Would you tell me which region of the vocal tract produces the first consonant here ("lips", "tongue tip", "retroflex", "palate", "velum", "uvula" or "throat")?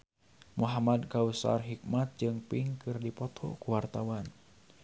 lips